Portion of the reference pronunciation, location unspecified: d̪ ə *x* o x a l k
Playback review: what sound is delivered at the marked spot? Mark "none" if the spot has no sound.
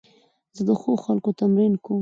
x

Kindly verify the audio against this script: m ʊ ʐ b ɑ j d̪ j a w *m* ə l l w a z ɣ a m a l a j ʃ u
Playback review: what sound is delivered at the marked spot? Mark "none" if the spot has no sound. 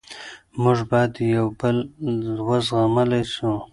b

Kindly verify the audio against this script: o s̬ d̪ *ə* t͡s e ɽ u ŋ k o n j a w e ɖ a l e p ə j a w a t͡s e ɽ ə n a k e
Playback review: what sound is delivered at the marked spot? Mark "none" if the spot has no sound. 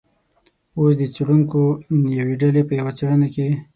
ə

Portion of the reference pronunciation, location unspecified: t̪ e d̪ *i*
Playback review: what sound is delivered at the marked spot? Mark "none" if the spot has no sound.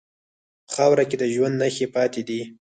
i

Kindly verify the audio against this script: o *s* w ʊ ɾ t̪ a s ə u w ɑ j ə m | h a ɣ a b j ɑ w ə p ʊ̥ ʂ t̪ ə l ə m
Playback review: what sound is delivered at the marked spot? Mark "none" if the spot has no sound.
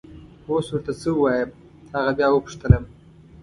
s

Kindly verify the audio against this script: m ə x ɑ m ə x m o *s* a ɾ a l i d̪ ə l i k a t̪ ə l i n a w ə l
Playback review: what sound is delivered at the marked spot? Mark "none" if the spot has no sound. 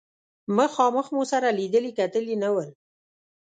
s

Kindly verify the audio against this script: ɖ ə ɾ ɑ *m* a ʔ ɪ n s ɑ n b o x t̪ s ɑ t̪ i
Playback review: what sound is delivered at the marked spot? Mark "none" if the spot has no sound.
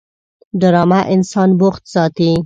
m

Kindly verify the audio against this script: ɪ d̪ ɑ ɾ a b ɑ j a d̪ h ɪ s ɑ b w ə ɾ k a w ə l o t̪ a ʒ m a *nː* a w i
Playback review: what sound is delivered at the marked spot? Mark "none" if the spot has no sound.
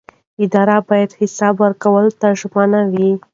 n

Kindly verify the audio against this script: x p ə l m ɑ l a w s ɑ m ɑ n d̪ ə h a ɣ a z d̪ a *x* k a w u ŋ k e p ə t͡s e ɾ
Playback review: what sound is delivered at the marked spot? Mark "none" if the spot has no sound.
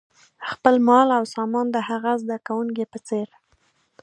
none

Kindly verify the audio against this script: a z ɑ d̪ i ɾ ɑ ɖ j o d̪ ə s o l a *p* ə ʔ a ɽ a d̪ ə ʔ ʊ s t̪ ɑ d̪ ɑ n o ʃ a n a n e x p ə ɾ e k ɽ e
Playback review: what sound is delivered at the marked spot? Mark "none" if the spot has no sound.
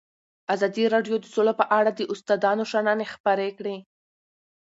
p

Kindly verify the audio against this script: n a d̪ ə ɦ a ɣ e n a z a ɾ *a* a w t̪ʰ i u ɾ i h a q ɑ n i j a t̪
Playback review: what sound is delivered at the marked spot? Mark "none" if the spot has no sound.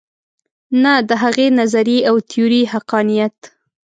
i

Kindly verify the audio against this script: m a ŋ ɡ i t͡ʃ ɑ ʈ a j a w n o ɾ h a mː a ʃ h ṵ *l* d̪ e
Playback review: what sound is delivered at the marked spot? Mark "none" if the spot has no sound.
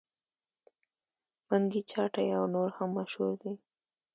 ɾ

